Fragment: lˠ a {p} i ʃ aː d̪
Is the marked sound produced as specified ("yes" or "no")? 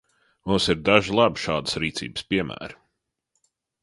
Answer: no